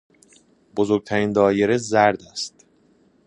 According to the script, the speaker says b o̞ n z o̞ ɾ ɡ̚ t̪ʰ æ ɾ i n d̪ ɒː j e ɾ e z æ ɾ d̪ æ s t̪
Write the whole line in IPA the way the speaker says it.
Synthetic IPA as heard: b o̞ z o̞ ɾ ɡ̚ t̪ʰ æ ɾ i n d̪ ɒː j e ɾ e z æ ɾ d̪ æ s t̪